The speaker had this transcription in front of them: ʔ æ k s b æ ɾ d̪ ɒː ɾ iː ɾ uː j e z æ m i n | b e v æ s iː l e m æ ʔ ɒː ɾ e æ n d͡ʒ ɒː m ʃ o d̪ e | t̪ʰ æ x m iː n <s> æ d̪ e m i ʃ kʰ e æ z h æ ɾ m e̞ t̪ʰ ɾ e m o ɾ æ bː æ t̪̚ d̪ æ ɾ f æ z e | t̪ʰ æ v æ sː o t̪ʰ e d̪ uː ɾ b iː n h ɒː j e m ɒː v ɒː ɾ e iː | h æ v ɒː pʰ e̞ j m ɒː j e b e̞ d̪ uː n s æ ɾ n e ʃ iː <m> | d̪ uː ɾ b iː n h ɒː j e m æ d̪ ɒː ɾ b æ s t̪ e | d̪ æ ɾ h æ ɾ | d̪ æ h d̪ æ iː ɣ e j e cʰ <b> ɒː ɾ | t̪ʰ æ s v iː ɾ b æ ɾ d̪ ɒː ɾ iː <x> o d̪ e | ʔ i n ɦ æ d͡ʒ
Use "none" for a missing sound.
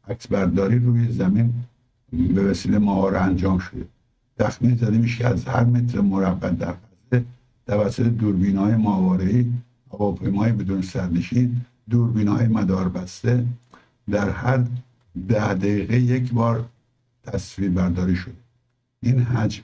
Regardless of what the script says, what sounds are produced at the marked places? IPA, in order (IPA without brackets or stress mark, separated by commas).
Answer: z, n, b, ʃ